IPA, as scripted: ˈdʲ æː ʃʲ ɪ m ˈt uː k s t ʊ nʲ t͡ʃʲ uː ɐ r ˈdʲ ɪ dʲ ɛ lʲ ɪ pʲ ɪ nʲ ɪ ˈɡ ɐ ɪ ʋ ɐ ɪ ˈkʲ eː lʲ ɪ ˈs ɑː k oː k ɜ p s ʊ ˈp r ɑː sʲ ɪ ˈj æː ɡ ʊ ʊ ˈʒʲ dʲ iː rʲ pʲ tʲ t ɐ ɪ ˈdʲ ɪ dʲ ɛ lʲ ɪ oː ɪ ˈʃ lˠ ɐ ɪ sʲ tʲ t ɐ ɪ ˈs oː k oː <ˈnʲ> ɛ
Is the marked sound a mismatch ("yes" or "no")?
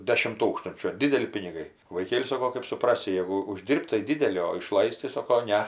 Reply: no